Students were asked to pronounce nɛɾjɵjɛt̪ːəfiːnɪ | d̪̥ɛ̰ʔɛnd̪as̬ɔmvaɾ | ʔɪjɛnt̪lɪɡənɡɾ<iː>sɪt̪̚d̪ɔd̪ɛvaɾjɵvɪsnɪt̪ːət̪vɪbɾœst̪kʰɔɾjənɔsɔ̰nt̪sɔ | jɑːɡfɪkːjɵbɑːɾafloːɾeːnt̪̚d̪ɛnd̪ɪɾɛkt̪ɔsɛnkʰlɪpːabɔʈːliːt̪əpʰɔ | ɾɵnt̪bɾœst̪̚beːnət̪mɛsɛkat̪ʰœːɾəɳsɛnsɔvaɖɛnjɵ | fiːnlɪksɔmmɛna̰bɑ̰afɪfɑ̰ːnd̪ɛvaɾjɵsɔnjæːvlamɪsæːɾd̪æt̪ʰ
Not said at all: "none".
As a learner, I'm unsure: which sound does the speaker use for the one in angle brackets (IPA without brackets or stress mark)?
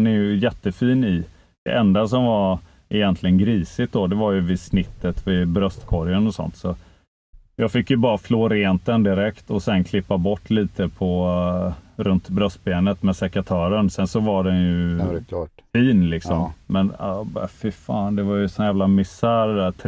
iː